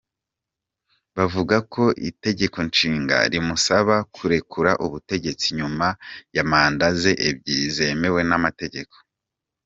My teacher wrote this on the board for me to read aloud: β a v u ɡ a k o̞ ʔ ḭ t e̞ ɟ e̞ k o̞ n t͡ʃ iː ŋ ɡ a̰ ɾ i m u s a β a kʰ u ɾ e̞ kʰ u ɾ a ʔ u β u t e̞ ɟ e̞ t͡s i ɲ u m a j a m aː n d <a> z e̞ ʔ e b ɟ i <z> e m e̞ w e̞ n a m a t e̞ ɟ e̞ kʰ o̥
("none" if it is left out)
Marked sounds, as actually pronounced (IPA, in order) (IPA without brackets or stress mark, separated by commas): a, z